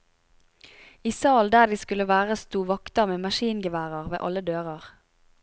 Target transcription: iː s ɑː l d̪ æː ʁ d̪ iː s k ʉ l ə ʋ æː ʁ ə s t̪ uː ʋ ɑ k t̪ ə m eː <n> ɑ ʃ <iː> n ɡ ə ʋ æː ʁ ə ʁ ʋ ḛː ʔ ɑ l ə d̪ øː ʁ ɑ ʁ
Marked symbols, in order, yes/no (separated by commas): no, yes